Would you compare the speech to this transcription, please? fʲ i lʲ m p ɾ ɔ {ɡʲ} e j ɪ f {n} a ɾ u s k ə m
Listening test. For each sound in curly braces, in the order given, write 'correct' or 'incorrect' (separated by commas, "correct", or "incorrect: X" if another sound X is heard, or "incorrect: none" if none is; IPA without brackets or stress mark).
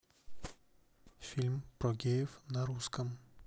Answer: correct, correct